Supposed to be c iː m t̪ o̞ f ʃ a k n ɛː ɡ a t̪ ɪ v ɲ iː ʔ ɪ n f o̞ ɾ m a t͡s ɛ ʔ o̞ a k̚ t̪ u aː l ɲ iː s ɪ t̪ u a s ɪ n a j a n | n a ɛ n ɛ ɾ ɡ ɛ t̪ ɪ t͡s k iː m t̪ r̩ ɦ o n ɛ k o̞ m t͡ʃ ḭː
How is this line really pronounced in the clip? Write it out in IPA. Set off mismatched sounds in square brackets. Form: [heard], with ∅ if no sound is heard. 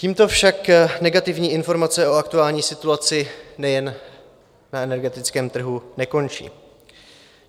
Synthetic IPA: c iː m t̪ o̞ f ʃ a k n [ɛ] ɡ a t̪ ɪ v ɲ iː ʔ ɪ n f o̞ ɾ m a t͡s ɛ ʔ o̞ a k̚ t̪ u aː l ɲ iː s ɪ t̪ u a [t͡s] ɪ n [ɛ] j [ɛ] n | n a ɛ n ɛ ɾ ɡ ɛ t̪ ɪ t͡s k [ɛː] m t̪ r̩ ɦ [u] n ɛ k o̞ [n] t͡ʃ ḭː